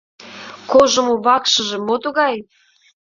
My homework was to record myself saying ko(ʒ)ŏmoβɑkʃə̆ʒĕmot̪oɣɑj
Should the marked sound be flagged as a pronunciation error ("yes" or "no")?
no